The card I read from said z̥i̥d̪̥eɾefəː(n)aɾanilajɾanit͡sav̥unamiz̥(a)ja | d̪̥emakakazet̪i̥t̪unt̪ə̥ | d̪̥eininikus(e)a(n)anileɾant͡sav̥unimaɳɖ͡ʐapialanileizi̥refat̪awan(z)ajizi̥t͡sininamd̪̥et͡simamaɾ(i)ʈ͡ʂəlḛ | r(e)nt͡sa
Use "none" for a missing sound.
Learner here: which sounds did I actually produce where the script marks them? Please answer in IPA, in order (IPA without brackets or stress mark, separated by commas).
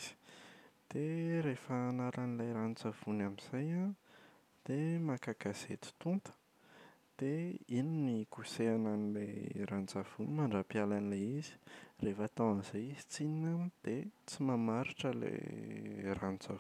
n, a, e, n, z, i, a